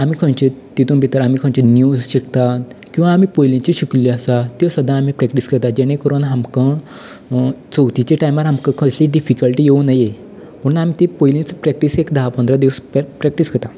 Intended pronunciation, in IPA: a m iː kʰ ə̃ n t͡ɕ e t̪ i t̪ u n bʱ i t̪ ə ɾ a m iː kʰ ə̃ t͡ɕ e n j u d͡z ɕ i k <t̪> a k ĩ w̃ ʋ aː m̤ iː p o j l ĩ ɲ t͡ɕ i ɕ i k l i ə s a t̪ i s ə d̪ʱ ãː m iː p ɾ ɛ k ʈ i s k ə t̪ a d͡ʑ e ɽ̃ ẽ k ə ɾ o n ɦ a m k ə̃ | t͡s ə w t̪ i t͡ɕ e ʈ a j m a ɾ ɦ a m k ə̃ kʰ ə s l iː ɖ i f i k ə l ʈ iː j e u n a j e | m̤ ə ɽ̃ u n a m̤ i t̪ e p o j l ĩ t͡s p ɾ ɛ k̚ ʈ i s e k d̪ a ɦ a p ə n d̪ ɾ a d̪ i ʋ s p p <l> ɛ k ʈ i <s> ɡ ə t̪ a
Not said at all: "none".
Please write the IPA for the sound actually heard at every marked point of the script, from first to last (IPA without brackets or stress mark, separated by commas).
t̪, ɾ, s